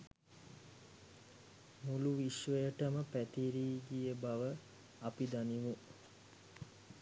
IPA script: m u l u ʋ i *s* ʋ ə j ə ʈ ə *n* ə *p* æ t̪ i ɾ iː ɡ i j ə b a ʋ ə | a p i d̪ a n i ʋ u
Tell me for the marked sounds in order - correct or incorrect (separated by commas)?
incorrect, incorrect, correct